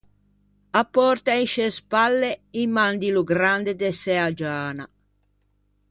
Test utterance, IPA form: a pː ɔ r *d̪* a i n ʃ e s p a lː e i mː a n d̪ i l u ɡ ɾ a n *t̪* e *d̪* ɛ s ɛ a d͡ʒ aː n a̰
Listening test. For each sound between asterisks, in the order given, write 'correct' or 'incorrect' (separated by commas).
incorrect, incorrect, correct